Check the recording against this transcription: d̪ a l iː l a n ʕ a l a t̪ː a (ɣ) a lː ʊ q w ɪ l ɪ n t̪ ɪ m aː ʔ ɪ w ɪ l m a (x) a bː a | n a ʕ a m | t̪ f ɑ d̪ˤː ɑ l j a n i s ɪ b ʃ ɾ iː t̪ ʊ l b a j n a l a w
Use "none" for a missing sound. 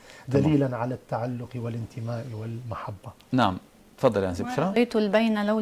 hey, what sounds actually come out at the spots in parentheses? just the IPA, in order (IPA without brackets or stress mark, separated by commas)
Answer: ʕ, ħ